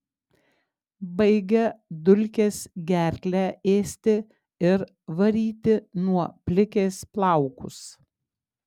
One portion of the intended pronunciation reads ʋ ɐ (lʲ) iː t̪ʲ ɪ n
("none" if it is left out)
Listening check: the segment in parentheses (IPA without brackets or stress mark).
ɾʲ